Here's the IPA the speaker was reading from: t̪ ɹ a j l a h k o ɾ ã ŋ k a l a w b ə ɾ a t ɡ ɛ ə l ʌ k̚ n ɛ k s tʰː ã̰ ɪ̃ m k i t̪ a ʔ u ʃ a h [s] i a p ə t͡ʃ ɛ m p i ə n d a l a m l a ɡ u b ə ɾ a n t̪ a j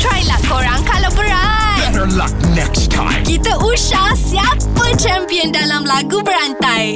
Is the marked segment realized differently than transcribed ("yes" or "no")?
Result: no